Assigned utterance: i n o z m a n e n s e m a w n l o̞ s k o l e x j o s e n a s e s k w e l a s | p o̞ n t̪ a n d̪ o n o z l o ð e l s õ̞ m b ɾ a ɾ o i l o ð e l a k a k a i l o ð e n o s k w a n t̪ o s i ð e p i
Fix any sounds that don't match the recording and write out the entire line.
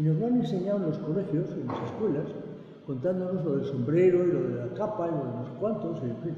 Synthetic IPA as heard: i n o z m a n e n s e ɲ a w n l o̞ s k o l e x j o s e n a s e s k w e l a s | k o̞ n t̪ a n d̪ o n o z l o ð e l s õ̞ m b ɾ e ɾ o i l o ð e l a k a p a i l o ð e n o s k w a n t̪ o s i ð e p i